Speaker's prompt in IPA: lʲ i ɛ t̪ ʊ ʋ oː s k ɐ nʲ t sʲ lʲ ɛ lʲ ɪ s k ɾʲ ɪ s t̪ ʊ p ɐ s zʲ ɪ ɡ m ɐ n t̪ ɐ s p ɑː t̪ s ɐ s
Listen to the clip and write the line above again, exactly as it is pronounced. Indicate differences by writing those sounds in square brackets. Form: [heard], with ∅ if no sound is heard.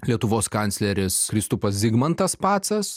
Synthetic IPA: lʲ i ɛ t̪ ʊ ʋ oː s k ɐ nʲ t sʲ lʲ ɛ [ɾʲ] ɪ s k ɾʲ ɪ s t̪ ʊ p ɐ s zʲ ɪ ɡ m ɐ n t̪ ɐ s p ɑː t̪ s ɐ s